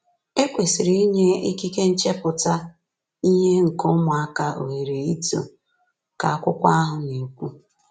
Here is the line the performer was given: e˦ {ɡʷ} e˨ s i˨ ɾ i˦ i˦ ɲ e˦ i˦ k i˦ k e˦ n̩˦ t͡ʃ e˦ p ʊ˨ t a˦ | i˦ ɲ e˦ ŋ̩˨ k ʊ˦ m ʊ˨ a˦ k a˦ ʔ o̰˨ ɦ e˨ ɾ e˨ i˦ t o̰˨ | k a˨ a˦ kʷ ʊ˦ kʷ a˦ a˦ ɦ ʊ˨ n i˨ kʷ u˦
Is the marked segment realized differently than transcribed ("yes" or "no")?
yes